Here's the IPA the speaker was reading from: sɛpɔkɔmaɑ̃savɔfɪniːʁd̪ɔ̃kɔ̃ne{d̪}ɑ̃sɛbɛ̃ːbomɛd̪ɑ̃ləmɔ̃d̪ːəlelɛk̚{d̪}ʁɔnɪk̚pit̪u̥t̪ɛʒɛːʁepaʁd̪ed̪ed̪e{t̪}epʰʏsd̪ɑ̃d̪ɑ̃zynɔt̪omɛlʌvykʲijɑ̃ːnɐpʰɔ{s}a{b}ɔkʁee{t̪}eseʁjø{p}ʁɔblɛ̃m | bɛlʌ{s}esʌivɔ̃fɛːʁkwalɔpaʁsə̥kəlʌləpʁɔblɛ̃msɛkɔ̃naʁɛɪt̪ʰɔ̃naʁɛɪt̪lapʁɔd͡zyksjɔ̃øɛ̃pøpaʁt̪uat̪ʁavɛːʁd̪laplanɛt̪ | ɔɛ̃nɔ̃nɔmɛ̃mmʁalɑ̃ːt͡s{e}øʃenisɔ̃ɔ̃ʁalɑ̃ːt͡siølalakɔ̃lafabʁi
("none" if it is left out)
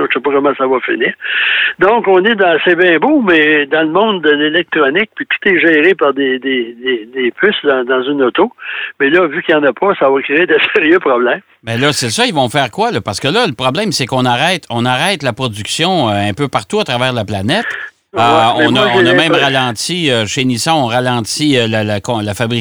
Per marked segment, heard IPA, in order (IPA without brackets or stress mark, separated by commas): d̪, t̪, d̪, s, v, d̪, p, s, i